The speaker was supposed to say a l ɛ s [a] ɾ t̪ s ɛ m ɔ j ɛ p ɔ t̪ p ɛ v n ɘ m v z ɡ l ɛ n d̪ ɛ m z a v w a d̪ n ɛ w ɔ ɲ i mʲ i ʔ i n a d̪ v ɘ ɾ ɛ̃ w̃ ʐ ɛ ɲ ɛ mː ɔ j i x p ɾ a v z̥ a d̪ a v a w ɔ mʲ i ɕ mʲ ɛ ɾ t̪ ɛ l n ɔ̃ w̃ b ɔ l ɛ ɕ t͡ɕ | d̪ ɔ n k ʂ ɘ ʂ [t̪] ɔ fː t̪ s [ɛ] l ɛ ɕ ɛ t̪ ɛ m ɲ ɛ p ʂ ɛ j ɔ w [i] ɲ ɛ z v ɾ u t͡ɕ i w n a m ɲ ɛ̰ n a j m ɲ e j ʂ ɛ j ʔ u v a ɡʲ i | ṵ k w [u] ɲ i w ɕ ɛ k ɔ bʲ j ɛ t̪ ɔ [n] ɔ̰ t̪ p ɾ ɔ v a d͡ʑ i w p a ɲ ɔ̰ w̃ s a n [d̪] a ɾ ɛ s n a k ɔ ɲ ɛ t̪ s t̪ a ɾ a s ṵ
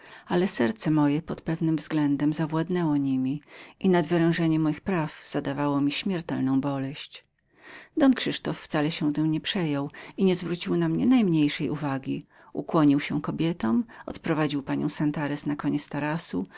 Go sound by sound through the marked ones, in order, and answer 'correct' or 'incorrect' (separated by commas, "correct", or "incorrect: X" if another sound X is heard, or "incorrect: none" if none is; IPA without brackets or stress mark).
incorrect: ɛ, correct, incorrect: a, correct, incorrect: ɔ, incorrect: m, incorrect: t̪